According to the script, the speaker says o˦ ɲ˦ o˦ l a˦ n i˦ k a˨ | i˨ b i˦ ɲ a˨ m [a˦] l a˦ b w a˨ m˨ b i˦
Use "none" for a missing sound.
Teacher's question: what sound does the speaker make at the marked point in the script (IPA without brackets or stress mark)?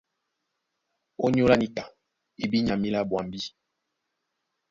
i˦